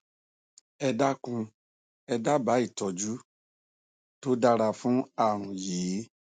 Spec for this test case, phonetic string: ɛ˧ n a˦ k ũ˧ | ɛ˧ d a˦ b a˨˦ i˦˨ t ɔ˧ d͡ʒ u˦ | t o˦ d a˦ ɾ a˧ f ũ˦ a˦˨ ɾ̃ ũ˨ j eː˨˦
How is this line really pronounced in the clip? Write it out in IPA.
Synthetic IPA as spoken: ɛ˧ d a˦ k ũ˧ | ɛ˧ d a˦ b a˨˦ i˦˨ t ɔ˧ d͡ʒ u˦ | t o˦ d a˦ ɾ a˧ f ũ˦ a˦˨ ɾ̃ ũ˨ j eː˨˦